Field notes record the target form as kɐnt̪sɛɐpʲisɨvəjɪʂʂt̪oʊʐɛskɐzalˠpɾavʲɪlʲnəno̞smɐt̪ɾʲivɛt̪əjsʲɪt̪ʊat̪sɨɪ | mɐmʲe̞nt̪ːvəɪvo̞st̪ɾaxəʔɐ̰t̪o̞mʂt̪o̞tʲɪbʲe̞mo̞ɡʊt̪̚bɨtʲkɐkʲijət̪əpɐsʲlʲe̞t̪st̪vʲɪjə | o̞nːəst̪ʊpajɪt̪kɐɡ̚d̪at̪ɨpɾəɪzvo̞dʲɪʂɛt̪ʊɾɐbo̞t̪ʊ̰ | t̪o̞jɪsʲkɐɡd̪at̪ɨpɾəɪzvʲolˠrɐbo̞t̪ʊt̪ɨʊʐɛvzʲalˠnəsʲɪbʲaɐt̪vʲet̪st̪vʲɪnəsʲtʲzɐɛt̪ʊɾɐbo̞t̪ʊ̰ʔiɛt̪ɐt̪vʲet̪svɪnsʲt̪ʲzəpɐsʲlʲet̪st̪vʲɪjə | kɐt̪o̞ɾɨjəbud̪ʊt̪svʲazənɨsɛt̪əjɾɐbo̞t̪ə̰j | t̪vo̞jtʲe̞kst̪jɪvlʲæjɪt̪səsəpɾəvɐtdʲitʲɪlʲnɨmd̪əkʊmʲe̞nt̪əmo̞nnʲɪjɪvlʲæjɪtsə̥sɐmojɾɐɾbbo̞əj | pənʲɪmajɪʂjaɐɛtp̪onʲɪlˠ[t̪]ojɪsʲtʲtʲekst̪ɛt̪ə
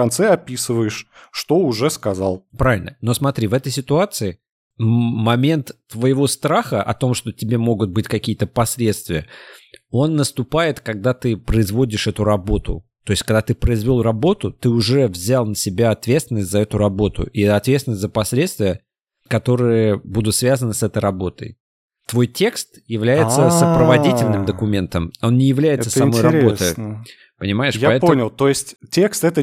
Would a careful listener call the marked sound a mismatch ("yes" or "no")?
no